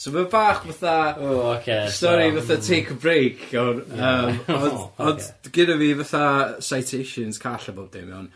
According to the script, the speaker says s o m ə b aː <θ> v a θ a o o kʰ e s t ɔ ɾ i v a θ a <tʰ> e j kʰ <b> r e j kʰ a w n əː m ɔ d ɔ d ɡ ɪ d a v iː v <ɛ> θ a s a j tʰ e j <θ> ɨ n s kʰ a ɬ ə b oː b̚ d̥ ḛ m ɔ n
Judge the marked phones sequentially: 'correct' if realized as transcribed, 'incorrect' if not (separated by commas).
incorrect, correct, correct, incorrect, incorrect